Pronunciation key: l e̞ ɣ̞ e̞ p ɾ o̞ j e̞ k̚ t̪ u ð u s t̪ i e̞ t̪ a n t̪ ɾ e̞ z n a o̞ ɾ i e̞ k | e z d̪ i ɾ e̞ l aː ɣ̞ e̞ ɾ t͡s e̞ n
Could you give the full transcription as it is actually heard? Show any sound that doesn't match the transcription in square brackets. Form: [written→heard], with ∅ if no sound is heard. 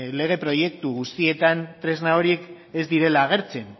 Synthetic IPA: l e̞ ɣ̞ e̞ p ɾ o̞ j e̞ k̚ t̪ u [ð→ɣ] u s t̪ i e̞ t̪ a n t̪ ɾ e̞ z n a o̞ ɾ i e̞ k | e z d̪ i ɾ e̞ l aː ɣ̞ e̞ ɾ t͡s e̞ n